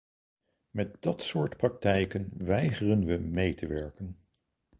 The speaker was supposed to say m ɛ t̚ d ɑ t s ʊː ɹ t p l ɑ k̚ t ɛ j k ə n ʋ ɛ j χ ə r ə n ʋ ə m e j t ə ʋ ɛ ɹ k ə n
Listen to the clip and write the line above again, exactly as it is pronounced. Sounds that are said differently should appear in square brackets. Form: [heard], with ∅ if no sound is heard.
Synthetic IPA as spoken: m ɛ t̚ d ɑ t s ʊː ɹ t p [r] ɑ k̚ t ɛ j k ə n ʋ ɛ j χ ə r ə n ʋ ə m e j t ə ʋ ɛ ɹ k ə n